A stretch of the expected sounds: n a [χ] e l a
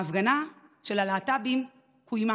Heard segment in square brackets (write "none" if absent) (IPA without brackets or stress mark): ʃ